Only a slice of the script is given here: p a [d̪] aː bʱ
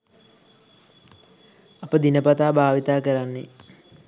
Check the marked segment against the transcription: incorrect: t̪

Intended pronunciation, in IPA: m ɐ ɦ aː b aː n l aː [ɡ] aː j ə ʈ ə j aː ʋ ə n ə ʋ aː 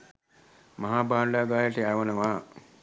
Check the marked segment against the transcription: correct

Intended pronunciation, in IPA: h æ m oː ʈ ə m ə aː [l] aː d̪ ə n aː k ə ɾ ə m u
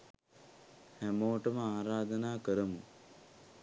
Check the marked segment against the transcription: incorrect: ɾ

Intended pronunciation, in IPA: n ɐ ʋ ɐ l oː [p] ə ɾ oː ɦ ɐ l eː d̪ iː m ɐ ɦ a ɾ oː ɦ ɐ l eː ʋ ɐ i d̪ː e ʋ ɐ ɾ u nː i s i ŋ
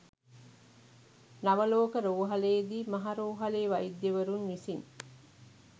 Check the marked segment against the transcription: incorrect: k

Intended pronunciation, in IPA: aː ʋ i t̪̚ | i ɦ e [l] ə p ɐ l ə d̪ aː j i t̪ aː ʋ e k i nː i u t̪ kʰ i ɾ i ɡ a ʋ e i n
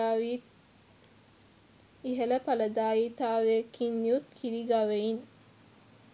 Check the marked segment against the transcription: correct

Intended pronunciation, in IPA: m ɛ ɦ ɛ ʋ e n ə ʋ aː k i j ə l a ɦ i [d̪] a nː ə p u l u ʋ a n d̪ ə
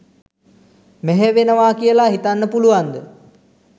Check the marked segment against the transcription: incorrect: t̪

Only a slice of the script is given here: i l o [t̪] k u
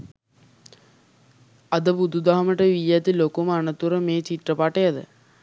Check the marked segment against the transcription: incorrect: none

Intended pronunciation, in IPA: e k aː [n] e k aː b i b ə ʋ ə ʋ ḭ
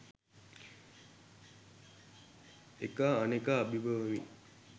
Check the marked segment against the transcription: correct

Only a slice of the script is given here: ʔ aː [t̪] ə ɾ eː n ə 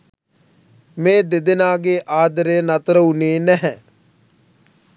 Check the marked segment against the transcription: incorrect: d̪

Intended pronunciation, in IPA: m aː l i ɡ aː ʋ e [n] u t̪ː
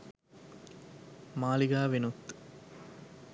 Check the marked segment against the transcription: correct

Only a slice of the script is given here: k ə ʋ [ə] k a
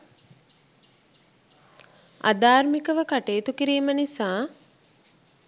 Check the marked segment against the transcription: correct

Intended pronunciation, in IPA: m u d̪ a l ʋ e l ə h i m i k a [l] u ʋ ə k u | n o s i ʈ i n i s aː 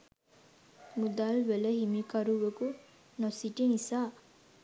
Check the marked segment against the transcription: incorrect: ɾ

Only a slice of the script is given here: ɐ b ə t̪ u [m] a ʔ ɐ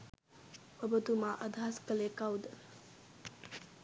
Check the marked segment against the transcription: correct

